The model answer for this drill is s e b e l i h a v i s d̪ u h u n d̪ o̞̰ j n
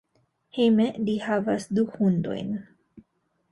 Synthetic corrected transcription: h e m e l i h a v a s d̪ u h u n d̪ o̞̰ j n